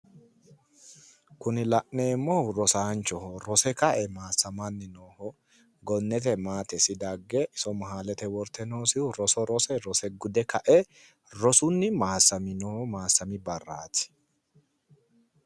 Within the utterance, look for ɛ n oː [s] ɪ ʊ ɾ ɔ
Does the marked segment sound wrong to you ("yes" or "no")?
no